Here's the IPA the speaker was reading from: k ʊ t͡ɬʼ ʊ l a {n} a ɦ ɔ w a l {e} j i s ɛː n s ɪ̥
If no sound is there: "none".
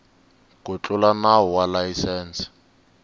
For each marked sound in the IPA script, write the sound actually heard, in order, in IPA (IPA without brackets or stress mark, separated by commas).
n, a